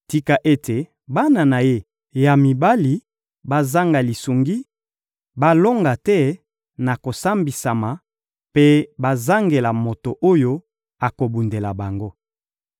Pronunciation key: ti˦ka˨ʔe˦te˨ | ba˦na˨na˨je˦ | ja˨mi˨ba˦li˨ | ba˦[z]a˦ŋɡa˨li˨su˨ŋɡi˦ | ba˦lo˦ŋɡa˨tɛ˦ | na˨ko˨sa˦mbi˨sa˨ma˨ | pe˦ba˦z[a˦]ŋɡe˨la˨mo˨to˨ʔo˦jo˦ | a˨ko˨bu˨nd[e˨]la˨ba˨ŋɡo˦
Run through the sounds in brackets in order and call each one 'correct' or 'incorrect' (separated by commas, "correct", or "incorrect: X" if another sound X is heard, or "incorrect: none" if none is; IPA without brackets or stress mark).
correct, correct, correct